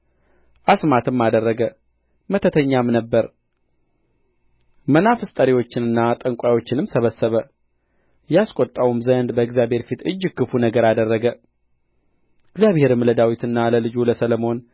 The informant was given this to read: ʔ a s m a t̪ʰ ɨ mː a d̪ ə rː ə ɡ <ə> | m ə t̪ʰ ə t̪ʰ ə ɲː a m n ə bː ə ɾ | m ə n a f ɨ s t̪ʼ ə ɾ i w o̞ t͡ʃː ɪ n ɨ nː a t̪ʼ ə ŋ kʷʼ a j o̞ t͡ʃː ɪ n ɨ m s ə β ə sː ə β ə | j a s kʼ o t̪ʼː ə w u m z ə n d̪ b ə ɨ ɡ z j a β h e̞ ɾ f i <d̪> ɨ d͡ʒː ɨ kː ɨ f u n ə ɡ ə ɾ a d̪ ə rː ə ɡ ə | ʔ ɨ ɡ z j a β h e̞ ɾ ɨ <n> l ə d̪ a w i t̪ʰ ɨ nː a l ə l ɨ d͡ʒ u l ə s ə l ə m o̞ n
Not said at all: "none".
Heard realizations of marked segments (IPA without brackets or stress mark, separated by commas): ə, t̪, m